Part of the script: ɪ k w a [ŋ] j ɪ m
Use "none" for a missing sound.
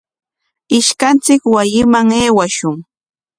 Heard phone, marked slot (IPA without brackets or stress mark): none